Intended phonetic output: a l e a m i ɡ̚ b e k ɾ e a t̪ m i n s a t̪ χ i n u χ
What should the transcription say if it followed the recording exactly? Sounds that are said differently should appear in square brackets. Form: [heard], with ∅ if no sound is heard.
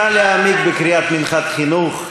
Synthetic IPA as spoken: a l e a m i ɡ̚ b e k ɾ [i] a t̪ m i n [χ] a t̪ χ i n u χ